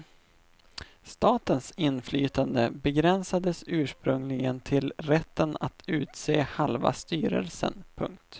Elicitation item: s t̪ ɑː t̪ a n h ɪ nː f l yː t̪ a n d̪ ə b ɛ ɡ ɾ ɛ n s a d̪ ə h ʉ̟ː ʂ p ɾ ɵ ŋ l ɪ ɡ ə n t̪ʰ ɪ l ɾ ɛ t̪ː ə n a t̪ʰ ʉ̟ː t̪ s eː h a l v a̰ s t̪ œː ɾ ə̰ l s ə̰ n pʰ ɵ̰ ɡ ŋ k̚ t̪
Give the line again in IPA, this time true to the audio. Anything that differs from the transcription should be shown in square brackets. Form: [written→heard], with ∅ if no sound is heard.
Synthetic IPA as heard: s t̪ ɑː t̪ [a→ə] n [h→s] ɪ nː f l yː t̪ a n d̪ ə b ɛ ɡ ɾ ɛ n s a d̪ ə [h→s] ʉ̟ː ʂ p ɾ ɵ ŋ l ɪ ɡ ə n t̪ʰ ɪ l ɾ ɛ t̪ː ə n a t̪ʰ ʉ̟ː t̪ s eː h a l v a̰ s t̪ [œː→yː] ɾ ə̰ l s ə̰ n pʰ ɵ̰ [ɡ→∅] ŋ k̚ t̪

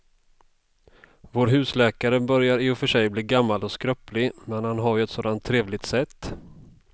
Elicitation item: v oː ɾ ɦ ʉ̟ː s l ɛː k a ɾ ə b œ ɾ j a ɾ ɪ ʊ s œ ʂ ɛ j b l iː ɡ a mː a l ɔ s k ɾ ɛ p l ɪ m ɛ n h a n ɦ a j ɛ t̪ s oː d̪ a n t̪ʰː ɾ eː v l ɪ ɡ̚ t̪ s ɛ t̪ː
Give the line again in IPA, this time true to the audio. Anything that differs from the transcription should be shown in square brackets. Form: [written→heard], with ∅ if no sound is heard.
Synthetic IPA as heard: v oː ɾ ɦ ʉ̟ː s l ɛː k a ɾ ə b œ ɾ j a ɾ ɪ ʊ [s→f] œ ʂ ɛ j b l iː ɡ a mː a l ɔ s k ɾ [ɛ→œ] p l ɪ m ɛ n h a n ɦ a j ɛ t̪ s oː d̪ a n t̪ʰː ɾ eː v l ɪ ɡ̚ t̪ s ɛ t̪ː

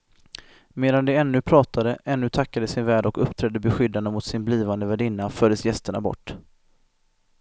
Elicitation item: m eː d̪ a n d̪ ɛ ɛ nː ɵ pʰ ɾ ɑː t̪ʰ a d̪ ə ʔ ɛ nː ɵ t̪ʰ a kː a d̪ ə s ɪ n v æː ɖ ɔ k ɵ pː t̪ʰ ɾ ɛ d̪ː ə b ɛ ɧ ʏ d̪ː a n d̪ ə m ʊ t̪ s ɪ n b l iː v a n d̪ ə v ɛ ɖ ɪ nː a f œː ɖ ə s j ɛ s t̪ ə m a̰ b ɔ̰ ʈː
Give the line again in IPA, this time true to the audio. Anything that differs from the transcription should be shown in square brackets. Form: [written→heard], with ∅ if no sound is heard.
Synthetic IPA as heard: m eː d̪ a n d̪ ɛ ɛ nː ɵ pʰ ɾ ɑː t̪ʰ a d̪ ə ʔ ɛ nː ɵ t̪ʰ a kː a d̪ ə s ɪ n v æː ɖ ɔ k ɵ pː t̪ʰ ɾ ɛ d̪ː ə b ɛ ɧ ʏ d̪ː a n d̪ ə m ʊ t̪ s ɪ n b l iː v a n d̪ ə v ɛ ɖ ɪ nː a f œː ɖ ə s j ɛ s t̪ ə [m→ɳ] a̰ b ɔ̰ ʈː

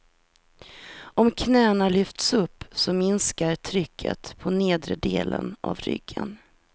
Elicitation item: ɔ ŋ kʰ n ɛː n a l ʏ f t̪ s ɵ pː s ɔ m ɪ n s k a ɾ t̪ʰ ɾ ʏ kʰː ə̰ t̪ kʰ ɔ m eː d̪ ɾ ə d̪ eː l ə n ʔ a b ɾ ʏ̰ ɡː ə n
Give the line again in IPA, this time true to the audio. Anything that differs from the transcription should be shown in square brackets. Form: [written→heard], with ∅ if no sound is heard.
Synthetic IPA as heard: ɔ [ŋ→m] kʰ n ɛː n a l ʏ f t̪ s ɵ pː s ɔ m ɪ n s k a ɾ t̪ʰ ɾ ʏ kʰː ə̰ t̪ [kʰ→pʰ] ɔ [m→n] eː d̪ ɾ ə d̪ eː l ə n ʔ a [b→v] ɾ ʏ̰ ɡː ə n

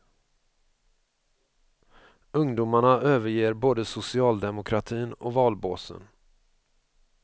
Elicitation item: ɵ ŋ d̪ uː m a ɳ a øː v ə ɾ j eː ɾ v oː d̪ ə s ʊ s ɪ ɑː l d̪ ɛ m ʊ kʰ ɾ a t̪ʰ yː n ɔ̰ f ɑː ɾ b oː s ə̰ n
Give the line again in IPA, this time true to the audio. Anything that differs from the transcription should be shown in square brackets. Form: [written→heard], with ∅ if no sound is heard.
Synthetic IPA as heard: ɵ ŋ d̪ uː m a ɳ a øː v ə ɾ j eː ɾ [v→b] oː d̪ ə s ʊ s ɪ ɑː l d̪ ɛ m ʊ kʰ ɾ a t̪ʰ [yː→iː] n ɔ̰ [f→v] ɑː [ɾ→l] b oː s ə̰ n

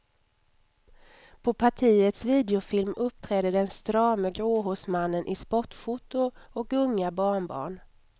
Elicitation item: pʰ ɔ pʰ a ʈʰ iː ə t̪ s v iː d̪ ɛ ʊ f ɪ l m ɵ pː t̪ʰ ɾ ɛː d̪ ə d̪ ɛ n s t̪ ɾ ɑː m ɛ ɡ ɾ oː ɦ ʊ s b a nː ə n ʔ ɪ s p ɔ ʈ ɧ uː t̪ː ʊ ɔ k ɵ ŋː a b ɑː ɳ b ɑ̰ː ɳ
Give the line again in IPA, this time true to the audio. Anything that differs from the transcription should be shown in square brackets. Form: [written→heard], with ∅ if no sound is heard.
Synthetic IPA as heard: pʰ ɔ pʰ a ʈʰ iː ə t̪ s v iː d̪ ɛ ʊ f ɪ l m ɵ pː t̪ʰ ɾ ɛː d̪ ə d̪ ɛ n s t̪ ɾ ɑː m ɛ ɡ ɾ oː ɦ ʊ s [b→m] a nː ə n ʔ ɪ s p ɔ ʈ ɧ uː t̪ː ʊ ɔ k ɵ ŋː a b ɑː ɳ b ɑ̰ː ɳ

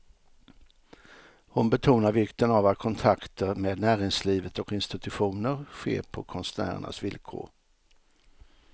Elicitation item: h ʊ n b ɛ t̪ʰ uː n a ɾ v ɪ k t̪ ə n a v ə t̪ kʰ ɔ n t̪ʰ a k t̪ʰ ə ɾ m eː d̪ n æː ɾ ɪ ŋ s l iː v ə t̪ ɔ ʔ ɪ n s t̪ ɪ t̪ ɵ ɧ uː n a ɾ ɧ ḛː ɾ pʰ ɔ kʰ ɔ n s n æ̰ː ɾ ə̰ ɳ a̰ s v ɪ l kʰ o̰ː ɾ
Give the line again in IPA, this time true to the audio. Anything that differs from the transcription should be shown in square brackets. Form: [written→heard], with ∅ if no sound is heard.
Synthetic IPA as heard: h ʊ n b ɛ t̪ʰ uː n a ɾ v ɪ k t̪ ə n a v [ə→a] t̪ kʰ ɔ n t̪ʰ a k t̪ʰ ə ɾ m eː d̪ n æː ɾ ɪ ŋ s l iː v ə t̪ ɔ [ʔ→k] ɪ n s t̪ ɪ t̪ ɵ ɧ uː n [a→ə] ɾ ɧ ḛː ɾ pʰ ɔ kʰ ɔ n s n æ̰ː ɾ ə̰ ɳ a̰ s v ɪ l kʰ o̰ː ɾ

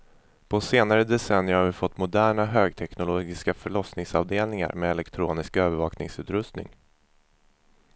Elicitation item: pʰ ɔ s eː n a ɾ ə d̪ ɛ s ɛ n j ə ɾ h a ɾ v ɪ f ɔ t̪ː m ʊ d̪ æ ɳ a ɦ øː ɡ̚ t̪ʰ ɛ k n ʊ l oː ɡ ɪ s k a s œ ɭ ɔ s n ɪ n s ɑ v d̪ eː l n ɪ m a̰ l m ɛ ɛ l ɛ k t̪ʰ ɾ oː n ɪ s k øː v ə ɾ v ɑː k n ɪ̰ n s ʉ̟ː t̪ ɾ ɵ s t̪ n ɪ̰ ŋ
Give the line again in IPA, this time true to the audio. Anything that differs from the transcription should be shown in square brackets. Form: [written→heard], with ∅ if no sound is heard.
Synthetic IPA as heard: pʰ ɔ s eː n a ɾ ə d̪ ɛ s ɛ n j ə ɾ h a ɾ v ɪ f ɔ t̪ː m ʊ d̪ [æ→æː] ɳ a ɦ øː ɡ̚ t̪ʰ ɛ k n ʊ l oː ɡ ɪ s k a [s→f] œ ɭ ɔ s n ɪ [n→ŋ] s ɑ v d̪ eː l n ɪ [m→ŋ] a̰ [l→ɾ] m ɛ ɛ l ɛ k t̪ʰ ɾ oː n ɪ s k øː v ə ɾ v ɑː k n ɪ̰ [n→ŋ] s ʉ̟ː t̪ ɾ ɵ s t̪ n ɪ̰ ŋ

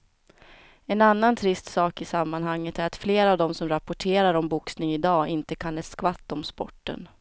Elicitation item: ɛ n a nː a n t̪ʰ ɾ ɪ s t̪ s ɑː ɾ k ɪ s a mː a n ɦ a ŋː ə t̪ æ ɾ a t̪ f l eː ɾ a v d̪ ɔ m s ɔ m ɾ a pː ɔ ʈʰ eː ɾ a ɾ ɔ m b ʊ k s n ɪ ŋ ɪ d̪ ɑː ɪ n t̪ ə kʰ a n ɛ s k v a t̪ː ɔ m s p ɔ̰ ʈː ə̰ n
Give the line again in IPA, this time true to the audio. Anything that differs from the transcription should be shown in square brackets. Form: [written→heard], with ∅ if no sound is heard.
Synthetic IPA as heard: ɛ n a nː a n t̪ʰ ɾ ɪ s t̪ s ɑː [ɾ→∅] k ɪ s a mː a n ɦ a ŋː ə t̪ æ ɾ a t̪ f l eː ɾ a v d̪ ɔ m s ɔ m ɾ a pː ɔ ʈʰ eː ɾ a ɾ ɔ m b ʊ k s n ɪ ŋ ɪ d̪ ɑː ɪ n t̪ ə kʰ a n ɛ s k v a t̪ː ɔ m s p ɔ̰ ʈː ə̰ n

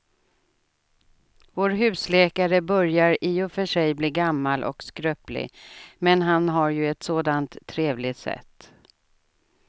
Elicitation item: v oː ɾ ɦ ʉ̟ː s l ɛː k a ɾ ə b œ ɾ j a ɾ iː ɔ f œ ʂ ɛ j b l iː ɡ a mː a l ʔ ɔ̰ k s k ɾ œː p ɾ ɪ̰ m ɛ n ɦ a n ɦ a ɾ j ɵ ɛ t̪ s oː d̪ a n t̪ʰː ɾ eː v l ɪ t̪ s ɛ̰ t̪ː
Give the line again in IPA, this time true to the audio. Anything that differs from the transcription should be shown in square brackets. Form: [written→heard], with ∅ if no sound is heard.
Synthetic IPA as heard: v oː ɾ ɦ ʉ̟ː s l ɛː k a ɾ ə b œ ɾ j a ɾ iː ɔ f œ ʂ ɛ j b l iː ɡ a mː a l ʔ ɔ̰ k s k ɾ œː p [ɾ→l] ɪ̰ m ɛ n ɦ a n ɦ a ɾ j ɵ ɛ t̪ s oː d̪ a n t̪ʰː ɾ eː v l ɪ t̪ s ɛ̰ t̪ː

